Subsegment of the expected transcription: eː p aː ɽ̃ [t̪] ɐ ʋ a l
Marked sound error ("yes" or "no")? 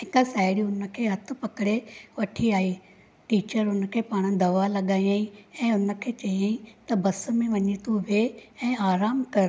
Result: yes